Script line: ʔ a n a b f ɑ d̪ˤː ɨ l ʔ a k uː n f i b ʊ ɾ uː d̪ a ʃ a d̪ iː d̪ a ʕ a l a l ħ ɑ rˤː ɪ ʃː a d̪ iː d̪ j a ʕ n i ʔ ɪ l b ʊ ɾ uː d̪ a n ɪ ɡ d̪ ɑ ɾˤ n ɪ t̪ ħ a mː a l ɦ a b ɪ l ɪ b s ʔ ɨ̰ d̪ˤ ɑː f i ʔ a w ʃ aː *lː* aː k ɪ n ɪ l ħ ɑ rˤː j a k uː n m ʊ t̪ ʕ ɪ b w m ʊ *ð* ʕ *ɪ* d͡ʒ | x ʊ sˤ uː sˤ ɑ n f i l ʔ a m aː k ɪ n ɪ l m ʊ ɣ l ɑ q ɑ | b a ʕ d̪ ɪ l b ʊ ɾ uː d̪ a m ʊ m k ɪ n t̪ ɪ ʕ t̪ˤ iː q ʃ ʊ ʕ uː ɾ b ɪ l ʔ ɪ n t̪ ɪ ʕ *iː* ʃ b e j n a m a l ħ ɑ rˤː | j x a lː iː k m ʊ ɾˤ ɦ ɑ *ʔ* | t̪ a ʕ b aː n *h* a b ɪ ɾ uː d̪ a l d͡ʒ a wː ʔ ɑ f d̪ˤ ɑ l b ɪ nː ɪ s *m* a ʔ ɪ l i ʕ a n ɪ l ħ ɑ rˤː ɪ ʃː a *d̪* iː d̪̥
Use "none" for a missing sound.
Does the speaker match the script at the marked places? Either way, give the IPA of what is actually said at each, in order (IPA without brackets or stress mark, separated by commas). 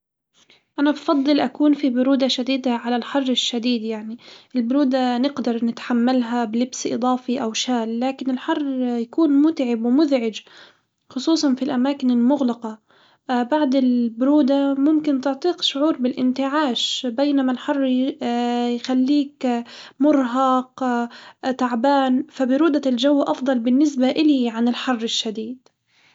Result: lː, ð, ɪ, aː, q, f, b, d̪